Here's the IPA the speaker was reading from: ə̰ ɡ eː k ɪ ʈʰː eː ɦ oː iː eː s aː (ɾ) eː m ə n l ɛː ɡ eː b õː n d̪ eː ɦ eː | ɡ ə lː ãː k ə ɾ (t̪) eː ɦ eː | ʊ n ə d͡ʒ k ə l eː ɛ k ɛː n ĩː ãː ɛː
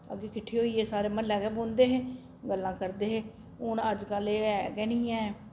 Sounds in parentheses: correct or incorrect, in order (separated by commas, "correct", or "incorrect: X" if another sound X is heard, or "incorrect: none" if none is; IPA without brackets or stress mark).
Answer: correct, incorrect: d̪